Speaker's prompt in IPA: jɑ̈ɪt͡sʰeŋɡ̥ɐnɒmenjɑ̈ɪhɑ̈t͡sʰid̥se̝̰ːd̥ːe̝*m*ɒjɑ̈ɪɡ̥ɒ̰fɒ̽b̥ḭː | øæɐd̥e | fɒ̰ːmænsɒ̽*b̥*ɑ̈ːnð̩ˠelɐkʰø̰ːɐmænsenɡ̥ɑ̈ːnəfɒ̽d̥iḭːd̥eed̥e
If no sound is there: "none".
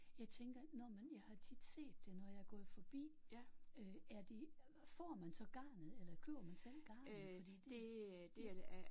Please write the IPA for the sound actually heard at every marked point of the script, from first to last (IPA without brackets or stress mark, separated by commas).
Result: n, ɡ̥